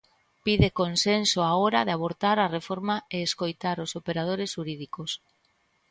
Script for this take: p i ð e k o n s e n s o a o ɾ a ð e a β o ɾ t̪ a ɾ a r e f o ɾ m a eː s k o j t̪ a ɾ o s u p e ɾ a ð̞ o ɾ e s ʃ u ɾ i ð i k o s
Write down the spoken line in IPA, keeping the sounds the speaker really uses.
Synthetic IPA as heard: p i ð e k o n s e n s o a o ɾ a ð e a β o ɾ t̪ a ɾ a r e f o ɾ m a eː s k o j t̪ a ɾ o s o p e ɾ a ð̞ o ɾ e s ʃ u ɾ i ð i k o s